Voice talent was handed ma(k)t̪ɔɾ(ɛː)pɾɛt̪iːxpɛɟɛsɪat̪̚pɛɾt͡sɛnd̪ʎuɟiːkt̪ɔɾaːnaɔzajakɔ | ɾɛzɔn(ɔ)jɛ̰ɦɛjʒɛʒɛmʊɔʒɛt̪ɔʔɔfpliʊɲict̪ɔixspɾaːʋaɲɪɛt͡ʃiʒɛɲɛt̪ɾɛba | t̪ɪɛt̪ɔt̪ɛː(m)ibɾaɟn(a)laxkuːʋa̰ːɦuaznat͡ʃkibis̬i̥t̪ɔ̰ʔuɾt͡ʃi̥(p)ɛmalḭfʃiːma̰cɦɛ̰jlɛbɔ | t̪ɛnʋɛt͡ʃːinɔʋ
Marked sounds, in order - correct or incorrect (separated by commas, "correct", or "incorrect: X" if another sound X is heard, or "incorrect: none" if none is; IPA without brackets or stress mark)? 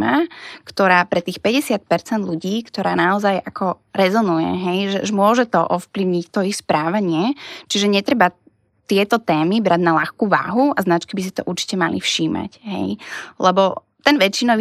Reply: correct, incorrect: aː, incorrect: u, correct, correct, incorrect: c